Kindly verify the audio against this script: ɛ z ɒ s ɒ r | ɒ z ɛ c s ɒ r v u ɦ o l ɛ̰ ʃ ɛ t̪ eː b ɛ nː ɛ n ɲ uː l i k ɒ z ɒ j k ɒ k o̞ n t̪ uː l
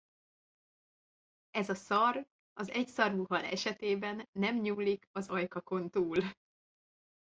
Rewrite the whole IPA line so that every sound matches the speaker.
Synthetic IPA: ɛ z ɒ s ɒ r | ɒ z ɛ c s ɒ r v u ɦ ɒ l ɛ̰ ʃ ɛ t̪ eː b ɛ nː ɛ m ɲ uː l i k ɒ z ɒ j k ɒ k o̞ n t̪ uː l

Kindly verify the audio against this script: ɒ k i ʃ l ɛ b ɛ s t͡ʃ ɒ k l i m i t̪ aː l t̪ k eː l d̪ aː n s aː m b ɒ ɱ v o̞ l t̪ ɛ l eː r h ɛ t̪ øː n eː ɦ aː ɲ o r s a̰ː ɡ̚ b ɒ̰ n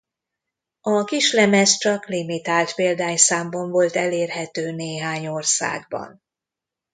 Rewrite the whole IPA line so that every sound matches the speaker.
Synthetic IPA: ɒ k i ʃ l ɛ m ɛ s t͡ʃ ɒ k l i m i t̪ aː l t̪ p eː l d̪ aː ɲ s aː m b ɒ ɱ v o̞ l t̪ ɛ l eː r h ɛ t̪ øː n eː ɦ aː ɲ o r s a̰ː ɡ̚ b ɒ̰ n

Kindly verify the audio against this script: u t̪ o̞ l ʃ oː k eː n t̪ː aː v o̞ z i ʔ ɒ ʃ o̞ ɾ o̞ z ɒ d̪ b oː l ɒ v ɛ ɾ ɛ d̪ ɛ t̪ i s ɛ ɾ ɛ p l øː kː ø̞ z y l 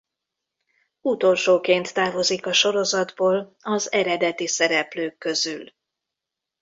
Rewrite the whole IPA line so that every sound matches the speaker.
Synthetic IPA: u t̪ o̞ l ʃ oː k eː n t̪ː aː v o̞ z i k ɒ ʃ o̞ ɾ o̞ z ɒ d̪ b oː l ɒ z ɛ ɾ ɛ d̪ ɛ t̪ i s ɛ ɾ ɛ p l øː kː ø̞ z y l

